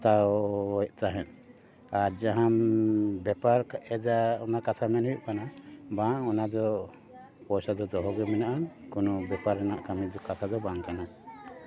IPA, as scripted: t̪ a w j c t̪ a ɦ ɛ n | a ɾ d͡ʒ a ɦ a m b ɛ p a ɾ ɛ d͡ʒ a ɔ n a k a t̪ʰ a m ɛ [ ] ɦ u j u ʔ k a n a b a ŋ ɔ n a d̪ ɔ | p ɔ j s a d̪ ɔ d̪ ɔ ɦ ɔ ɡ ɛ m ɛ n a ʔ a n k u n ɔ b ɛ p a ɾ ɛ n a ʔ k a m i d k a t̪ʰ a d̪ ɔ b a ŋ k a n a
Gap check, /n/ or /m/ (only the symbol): n